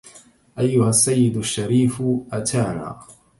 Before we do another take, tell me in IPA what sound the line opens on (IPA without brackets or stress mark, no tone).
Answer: ʔ